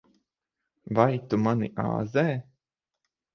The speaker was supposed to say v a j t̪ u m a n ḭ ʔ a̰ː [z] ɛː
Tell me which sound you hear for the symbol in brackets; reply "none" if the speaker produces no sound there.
z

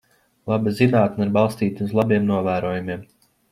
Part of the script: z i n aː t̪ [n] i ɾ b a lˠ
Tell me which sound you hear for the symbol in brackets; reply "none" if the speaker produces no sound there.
n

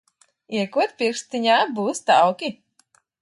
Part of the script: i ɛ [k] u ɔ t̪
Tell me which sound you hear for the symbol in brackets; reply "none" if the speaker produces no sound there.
k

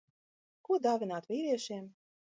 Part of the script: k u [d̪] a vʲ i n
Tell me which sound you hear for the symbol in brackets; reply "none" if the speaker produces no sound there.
d̪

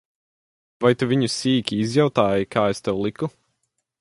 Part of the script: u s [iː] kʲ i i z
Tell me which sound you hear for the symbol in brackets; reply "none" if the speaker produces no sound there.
iː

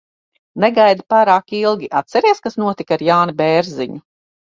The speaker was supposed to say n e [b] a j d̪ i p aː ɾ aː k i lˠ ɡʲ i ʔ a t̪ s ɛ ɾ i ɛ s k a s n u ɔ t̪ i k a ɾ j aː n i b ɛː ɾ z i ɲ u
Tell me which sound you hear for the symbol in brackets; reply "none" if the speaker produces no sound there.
ɡ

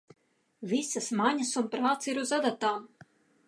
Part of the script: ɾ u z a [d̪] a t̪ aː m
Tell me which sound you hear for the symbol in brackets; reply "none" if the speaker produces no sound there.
d̪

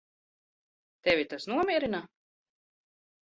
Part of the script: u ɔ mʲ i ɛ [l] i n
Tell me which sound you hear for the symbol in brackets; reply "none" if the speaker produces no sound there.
ɾ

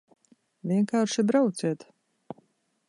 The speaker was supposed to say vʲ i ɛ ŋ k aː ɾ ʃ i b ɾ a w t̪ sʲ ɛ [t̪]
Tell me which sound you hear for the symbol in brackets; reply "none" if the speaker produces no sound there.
t̪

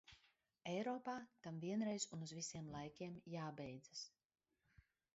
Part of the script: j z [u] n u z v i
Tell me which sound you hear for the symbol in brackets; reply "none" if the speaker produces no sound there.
u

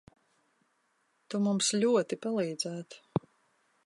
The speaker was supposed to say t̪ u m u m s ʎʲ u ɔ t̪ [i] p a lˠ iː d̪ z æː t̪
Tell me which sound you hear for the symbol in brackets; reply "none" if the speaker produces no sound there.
i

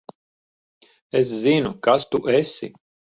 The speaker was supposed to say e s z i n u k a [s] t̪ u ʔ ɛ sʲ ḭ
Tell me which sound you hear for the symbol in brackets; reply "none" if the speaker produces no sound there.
s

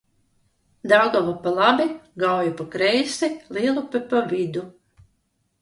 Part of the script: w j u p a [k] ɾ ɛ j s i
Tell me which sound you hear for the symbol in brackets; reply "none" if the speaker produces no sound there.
k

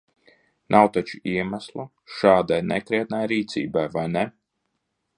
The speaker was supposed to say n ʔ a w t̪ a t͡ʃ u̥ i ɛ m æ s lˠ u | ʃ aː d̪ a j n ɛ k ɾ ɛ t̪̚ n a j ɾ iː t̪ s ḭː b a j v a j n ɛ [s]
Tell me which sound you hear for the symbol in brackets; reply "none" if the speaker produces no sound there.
none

